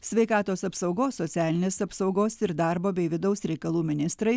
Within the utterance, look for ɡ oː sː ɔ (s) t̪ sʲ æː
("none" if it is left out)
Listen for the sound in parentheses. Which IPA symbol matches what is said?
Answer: none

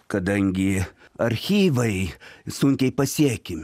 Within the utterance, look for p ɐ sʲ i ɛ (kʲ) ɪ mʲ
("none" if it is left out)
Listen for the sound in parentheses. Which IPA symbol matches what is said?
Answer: kʲ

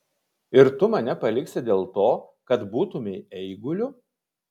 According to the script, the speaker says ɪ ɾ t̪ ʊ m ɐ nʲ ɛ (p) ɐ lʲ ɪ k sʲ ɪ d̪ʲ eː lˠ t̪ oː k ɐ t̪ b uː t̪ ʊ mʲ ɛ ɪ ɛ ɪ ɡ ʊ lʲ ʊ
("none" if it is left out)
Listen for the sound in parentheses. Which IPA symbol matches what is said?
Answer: p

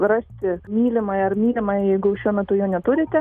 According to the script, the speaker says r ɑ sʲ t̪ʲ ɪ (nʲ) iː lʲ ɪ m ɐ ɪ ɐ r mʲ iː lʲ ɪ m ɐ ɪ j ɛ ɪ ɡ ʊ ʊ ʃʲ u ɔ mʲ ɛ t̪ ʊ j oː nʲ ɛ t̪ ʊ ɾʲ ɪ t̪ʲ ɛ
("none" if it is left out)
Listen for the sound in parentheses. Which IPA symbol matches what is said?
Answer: mʲ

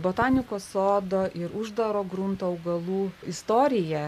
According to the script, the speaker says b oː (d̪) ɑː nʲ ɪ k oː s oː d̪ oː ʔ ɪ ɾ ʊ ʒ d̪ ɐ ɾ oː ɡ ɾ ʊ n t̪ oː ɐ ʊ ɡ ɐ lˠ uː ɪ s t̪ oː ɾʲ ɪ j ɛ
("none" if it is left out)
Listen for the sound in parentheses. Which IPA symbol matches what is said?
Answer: t̪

